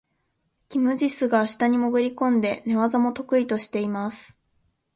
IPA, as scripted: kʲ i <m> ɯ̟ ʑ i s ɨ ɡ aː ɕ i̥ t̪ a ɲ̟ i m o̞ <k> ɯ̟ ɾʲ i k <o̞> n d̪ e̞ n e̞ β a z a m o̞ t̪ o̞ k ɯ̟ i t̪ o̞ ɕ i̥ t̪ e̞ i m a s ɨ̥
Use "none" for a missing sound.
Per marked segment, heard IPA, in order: m, ɡ, õ̞

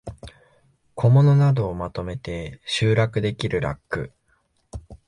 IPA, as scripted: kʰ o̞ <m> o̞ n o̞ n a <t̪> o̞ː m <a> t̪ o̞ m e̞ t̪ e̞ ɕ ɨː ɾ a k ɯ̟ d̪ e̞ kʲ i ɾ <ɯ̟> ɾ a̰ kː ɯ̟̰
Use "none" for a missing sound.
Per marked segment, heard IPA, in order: m, d̪, a, ɯ̟

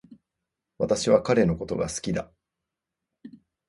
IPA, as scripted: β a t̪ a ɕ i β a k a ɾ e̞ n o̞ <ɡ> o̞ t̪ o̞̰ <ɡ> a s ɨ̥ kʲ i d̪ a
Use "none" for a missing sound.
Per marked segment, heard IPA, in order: k, ɡ

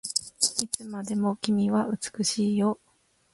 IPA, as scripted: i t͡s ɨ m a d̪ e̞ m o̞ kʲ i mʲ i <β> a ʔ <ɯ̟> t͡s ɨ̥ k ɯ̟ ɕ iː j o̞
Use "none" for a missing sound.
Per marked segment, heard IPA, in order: β, ɯ̟

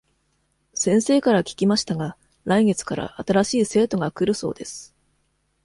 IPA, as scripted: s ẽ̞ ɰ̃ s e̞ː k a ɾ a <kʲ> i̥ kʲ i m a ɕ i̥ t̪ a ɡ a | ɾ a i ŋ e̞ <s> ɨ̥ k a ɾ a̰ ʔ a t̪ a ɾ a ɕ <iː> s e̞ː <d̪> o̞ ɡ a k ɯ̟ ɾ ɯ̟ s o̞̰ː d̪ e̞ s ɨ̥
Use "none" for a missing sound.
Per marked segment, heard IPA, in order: kʲ, t͡s, iː, t̪

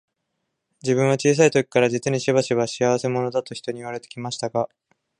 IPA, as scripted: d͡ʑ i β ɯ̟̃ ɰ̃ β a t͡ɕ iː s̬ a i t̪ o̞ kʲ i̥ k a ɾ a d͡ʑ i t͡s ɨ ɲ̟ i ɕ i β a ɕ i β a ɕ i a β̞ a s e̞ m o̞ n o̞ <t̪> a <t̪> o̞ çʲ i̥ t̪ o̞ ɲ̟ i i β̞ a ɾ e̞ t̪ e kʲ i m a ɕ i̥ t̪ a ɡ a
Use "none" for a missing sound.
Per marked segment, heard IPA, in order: d̪, t̪

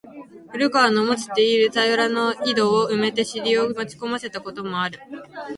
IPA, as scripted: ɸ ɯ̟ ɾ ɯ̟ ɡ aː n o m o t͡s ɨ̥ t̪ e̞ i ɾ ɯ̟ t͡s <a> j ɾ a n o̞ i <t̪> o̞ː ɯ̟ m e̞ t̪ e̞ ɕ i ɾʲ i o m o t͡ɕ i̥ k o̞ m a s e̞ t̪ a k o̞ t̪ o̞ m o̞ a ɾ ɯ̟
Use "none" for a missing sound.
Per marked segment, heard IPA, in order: a, d̪

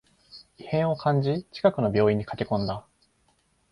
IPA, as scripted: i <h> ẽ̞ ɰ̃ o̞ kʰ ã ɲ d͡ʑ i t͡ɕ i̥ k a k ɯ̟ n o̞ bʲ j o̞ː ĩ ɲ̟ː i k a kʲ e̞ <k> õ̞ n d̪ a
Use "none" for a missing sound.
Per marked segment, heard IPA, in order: h, k

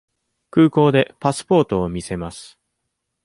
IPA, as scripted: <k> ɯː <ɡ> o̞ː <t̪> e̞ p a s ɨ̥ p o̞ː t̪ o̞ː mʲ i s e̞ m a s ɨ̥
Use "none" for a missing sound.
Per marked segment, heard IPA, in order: k, k, d̪

